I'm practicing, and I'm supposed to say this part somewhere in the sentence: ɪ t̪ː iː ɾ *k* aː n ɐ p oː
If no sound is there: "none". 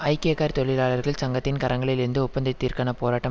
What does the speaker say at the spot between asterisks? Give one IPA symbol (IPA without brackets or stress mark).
k